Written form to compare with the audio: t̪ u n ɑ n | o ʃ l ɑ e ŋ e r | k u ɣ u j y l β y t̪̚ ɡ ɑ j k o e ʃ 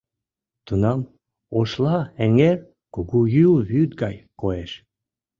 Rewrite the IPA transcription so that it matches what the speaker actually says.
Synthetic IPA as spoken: t̪ u n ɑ m | o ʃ l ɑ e ŋ e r | k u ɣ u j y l β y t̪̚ ɡ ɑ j k o e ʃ